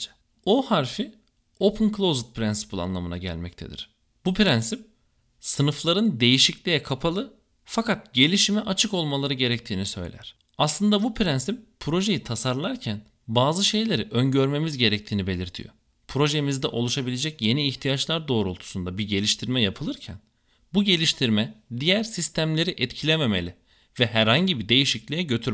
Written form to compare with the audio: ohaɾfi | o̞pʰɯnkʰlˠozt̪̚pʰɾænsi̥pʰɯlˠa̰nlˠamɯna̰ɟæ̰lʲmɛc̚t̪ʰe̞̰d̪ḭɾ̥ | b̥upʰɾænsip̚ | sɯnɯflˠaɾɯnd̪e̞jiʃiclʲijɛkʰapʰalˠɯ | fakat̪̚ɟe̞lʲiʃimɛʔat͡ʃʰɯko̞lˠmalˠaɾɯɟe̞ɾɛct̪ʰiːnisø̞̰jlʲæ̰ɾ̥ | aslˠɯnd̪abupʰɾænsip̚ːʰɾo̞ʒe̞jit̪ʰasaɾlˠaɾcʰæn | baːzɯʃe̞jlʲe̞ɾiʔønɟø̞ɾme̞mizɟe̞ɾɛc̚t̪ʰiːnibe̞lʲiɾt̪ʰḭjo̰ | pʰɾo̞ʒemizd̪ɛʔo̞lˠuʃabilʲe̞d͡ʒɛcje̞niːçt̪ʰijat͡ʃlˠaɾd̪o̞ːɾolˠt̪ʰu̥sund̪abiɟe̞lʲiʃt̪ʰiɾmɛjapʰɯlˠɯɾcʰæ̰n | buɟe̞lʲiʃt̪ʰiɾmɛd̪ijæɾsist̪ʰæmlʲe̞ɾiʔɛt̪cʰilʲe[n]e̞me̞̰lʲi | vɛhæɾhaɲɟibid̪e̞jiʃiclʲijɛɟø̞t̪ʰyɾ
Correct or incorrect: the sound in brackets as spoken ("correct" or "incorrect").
incorrect